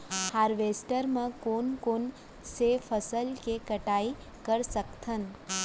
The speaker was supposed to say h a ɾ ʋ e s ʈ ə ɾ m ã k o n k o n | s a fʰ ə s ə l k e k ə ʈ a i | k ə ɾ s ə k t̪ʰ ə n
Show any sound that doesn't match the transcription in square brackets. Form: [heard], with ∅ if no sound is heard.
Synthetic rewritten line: h a ɾ ʋ e s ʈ ə ɾ m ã k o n k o n | s [e] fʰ ə s ə l k e k ə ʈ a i | k ə ɾ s ə k t̪ʰ ə n

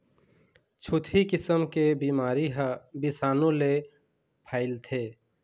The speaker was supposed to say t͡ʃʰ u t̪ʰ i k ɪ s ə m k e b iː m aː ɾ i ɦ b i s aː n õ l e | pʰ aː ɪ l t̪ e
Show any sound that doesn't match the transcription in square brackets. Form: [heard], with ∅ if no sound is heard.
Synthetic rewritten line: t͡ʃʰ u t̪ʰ i k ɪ s ə m k e b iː m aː ɾ i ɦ b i s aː n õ l e | pʰ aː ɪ l [t̪ʰ] e

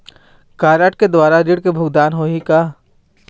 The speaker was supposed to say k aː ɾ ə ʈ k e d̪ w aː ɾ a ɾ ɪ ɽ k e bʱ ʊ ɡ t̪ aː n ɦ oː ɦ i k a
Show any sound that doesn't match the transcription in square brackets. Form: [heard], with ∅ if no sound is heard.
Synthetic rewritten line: k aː ɾ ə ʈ k e d̪ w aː ɾ a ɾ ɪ ɽ k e bʱ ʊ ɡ [d̪] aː n ɦ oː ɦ i k a

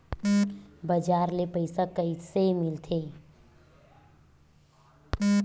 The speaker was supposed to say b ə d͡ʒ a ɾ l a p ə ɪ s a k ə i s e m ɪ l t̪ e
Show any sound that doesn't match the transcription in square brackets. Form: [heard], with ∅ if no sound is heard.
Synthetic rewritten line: b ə d͡ʒ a ɾ l [e] p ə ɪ s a k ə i s e m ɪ l [t̪ʰ] e

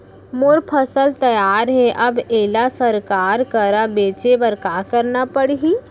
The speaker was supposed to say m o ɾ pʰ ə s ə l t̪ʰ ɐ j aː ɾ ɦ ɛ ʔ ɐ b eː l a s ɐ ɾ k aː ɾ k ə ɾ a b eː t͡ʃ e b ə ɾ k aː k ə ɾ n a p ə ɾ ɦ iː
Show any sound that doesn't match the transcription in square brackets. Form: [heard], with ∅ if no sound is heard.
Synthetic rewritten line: m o ɾ pʰ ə s ə l [t̪] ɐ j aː ɾ ɦ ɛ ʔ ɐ b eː l a s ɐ ɾ k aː ɾ k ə ɾ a b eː t͡ʃ e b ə ɾ k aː k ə ɾ n a p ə [ɽ] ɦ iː

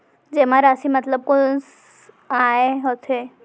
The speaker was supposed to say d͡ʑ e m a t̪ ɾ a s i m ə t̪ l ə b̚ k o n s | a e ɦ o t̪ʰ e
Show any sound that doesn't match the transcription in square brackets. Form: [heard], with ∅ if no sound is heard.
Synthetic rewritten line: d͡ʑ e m a [∅] ɾ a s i m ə t̪ l ə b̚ k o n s | a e ɦ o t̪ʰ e

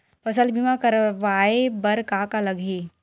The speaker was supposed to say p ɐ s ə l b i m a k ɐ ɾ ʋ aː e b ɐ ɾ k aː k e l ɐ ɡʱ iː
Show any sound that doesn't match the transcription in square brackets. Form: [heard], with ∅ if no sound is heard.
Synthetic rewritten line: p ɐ s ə l b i m a k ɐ ɾ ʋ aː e b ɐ ɾ k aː k [a] l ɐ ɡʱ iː

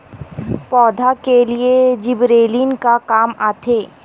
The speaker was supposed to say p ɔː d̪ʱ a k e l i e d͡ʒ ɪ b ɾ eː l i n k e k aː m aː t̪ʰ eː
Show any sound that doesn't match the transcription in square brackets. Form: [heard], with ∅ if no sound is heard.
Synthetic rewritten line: p ɔː d̪ʱ a k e l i e d͡ʒ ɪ b ɾ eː l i n k [a] k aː m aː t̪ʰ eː

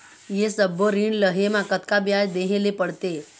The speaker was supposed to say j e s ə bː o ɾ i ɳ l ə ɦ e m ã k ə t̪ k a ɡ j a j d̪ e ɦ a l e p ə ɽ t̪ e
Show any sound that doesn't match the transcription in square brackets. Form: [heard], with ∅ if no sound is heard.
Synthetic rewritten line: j e s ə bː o ɾ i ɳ l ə ɦ e m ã k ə t̪ k a [b] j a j d̪ e ɦ [e] l e p ə ɽ t̪ e

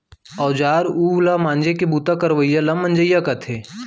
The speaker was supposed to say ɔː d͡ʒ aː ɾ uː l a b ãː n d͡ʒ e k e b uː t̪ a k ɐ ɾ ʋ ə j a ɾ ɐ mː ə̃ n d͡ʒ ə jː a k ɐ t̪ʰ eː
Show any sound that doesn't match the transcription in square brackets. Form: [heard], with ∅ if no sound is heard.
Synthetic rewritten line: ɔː d͡ʒ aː ɾ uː l a [m] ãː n d͡ʒ e k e b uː t̪ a k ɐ ɾ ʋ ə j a [l] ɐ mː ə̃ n d͡ʒ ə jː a k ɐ t̪ʰ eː

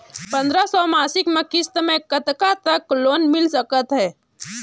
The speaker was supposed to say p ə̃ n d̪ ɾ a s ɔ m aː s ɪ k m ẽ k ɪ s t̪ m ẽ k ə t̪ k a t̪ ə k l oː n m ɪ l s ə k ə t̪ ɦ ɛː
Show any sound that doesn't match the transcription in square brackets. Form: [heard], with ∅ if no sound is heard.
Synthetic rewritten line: p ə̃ n d̪ ɾ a s ɔ m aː s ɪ k m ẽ k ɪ s t̪ m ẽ k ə t̪ k a t̪ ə k l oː n m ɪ l s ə k ə t̪ ɦ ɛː

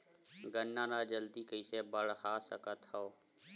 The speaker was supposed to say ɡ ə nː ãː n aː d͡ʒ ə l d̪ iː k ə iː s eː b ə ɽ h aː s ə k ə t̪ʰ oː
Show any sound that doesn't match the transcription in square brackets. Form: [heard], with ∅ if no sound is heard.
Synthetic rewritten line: ɡ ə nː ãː n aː d͡ʒ ə l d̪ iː k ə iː s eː b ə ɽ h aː s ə k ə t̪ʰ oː

